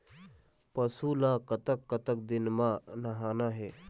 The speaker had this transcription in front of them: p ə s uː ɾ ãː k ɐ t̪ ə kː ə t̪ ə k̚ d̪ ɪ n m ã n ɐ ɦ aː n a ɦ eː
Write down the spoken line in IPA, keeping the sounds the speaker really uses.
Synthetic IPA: p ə s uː l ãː k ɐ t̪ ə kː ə t̪ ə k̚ d̪ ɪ n m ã n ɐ ɦ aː n a ɦ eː